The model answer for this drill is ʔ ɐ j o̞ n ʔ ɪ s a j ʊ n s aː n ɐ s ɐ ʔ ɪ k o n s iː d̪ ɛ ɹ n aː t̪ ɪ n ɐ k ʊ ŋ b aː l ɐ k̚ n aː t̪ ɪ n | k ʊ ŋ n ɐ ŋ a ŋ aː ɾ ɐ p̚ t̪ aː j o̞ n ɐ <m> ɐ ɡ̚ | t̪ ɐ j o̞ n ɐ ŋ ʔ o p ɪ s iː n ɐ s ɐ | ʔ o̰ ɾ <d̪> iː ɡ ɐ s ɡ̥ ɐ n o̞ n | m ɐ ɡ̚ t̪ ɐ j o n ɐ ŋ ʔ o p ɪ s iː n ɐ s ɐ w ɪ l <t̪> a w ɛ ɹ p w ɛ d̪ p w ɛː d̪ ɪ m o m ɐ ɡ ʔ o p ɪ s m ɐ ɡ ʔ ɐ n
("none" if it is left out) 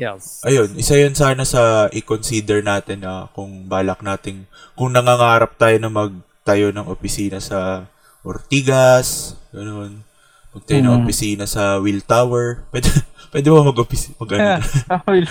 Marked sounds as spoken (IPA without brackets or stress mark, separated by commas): m, t̪, t̪